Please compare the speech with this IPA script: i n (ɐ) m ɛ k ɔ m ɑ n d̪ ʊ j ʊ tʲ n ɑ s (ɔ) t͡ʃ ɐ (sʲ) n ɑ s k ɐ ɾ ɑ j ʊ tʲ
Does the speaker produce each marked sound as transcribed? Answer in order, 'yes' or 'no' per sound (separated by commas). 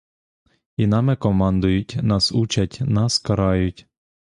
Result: no, no, no